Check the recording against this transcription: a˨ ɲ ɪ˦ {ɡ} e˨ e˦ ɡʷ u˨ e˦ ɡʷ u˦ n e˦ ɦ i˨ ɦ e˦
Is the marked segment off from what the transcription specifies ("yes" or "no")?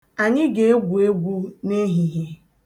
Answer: no